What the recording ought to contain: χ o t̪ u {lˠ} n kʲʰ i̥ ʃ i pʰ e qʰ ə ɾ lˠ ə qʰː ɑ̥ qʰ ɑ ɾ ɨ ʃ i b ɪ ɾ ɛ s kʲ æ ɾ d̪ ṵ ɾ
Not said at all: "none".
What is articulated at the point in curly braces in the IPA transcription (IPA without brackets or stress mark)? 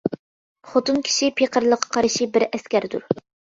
none